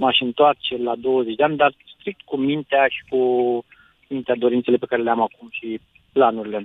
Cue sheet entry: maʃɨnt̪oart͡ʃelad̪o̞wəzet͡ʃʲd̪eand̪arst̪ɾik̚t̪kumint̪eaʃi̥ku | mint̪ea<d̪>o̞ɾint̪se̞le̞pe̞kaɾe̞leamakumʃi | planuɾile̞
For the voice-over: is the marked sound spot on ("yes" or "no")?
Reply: yes